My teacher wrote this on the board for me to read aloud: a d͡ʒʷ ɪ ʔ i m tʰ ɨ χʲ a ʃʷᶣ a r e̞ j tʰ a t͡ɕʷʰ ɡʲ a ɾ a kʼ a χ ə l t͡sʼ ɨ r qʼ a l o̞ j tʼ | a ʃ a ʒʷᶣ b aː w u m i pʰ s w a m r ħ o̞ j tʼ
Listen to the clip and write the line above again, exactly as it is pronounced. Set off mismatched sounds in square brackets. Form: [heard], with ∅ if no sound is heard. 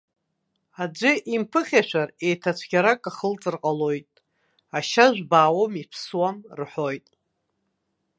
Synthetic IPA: a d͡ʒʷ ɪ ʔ i m [pʰ] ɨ χʲ a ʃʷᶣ a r e̞ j tʰ a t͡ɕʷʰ ɡʲ a ɾ a kʼ a χ ə l t͡sʼ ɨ r qʼ a l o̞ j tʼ | a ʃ a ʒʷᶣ b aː w [o] m i pʰ s w a m r ħ o̞ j tʼ